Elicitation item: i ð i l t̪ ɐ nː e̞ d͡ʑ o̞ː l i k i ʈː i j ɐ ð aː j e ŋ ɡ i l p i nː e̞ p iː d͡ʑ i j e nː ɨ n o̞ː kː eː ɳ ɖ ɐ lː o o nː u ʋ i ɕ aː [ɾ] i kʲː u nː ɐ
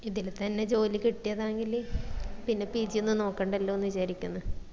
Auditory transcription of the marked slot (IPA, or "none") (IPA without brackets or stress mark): ɾ